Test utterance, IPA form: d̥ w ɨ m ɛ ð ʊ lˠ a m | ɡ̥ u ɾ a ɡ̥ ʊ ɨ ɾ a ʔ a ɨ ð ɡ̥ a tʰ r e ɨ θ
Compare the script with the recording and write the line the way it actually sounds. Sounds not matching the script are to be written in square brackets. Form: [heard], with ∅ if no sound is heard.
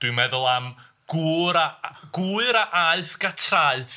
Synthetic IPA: d̥ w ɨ m ɛ ð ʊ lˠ a m | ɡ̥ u ɾ a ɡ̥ [u] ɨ ɾ a ʔ a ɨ [θ] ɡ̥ a tʰ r [a] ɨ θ

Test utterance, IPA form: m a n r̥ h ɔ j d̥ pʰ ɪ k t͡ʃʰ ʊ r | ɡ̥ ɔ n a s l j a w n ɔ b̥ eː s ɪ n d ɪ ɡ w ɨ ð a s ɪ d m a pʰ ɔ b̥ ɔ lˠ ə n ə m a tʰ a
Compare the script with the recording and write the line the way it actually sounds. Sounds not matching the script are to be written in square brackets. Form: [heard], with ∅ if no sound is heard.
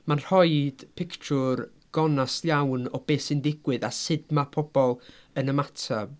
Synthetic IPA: m a n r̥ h ɔ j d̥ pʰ ɪ k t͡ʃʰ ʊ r | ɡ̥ ɔ n a s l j a w n ɔ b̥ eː s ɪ n d ɪ ɡ w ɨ ð a s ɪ d m a pʰ ɔ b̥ ɔ lˠ ə n ə m a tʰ a

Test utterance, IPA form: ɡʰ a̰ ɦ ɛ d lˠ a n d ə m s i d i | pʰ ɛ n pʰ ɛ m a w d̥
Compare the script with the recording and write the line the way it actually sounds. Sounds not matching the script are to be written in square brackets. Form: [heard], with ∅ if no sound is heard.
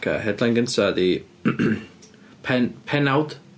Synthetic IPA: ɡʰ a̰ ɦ ɛ d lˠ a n [ɡ] ə [n] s [a] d i | pʰ ɛ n pʰ ɛ [n] a w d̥

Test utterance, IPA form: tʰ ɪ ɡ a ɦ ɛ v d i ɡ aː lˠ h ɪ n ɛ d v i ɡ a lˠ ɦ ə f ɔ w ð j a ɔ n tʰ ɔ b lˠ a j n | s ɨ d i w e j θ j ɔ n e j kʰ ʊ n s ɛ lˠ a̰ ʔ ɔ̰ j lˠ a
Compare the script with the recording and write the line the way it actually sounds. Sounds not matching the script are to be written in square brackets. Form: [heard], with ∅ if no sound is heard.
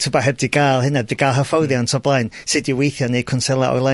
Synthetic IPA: tʰ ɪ [b] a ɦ ɛ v d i ɡ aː lˠ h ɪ n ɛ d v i ɡ a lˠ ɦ ə f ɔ w ð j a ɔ n tʰ ɔ b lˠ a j n | s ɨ d i w e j θ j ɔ n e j kʰ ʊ n s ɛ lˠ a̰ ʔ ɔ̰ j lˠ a

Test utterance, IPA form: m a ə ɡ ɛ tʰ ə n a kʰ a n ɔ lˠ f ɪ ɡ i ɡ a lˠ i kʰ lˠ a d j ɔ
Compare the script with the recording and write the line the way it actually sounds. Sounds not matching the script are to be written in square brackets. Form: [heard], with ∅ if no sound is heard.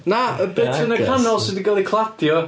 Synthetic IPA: [n] a ə [b] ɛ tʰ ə n [ə] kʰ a n ɔ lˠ [s] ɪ [d] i ɡ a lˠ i kʰ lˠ a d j ɔ

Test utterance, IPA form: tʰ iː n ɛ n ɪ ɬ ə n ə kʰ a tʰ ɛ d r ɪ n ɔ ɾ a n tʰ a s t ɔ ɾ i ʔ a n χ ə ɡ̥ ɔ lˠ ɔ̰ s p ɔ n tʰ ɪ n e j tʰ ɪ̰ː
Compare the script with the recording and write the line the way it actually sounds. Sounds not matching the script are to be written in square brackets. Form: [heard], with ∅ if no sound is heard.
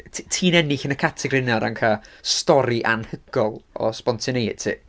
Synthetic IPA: tʰ iː n ɛ n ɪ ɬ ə n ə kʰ a tʰ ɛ [ɡ] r ɪ n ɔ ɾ a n [kʰ] a s t ɔ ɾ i ʔ a n [h] ə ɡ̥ ɔ lˠ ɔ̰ s p ɔ n tʰ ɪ n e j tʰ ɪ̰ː

